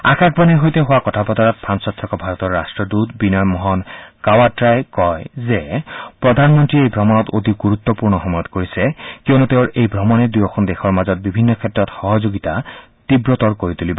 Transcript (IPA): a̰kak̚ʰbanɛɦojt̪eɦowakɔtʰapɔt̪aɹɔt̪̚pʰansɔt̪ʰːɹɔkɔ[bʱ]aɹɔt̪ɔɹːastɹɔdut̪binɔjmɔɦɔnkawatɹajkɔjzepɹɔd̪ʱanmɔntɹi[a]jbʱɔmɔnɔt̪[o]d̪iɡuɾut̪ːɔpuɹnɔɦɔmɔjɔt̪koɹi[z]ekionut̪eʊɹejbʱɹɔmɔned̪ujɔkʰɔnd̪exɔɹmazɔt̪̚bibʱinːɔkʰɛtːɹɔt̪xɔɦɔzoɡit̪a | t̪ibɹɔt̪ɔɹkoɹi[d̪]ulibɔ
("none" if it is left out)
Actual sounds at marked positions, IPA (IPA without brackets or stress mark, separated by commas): bʱ, e, o, s, t̪